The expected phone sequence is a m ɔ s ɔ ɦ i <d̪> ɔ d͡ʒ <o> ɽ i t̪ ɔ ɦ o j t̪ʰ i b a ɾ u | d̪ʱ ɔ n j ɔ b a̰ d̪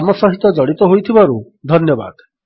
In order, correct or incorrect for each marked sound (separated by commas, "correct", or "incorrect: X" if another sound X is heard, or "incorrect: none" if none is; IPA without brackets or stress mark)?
incorrect: t̪, incorrect: ɔ